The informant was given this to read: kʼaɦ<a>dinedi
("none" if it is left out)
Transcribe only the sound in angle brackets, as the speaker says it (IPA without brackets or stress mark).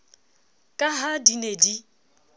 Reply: a